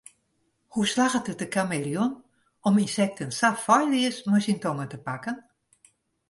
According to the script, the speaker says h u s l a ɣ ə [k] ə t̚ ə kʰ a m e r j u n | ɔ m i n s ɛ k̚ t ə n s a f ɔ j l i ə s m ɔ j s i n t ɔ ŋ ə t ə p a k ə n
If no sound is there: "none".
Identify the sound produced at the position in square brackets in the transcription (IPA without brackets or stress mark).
t